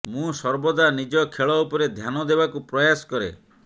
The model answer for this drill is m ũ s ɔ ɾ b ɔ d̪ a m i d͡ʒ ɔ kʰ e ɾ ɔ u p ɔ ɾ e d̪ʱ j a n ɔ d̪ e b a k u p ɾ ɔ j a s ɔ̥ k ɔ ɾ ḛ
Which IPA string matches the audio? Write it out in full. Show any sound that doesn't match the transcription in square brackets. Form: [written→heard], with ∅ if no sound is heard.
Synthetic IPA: m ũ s ɔ ɾ b ɔ d̪ a [m→n] i d͡ʒ ɔ kʰ e [ɾ→ɭ] ɔ u p ɔ ɾ e d̪ʱ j a n ɔ d̪ e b a k u p ɾ ɔ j a s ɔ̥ k ɔ ɾ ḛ